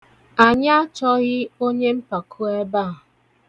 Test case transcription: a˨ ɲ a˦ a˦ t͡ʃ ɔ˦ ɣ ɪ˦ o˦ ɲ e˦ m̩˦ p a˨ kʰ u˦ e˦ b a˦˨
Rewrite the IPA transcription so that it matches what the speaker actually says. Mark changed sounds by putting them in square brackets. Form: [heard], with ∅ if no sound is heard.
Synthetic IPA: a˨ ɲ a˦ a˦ t͡ʃ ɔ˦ ɣ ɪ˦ o˦ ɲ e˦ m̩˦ p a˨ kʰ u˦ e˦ b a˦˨